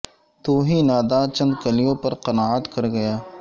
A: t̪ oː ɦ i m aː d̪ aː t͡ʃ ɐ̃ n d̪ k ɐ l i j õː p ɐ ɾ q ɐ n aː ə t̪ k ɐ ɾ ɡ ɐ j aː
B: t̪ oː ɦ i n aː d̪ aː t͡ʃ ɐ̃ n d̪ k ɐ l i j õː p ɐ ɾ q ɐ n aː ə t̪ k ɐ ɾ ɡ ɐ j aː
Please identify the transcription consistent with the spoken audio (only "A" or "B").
B